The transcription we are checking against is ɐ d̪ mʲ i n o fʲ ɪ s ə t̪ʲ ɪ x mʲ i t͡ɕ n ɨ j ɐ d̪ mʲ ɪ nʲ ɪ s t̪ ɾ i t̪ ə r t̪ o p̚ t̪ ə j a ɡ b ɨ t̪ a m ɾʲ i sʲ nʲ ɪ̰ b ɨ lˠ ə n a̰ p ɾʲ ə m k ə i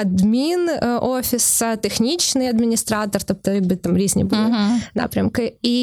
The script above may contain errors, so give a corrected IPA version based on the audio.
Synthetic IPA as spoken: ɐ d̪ mʲ i n o fʲ ɪ s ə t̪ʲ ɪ x nʲ i t͡ɕ n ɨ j ɐ d̪ mʲ ɪ nʲ ɪ s t̪ ɾ a t̪ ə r t̪ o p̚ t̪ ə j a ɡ b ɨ t̪ a m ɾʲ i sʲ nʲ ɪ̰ b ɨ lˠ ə n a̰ p ɾʲ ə m k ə i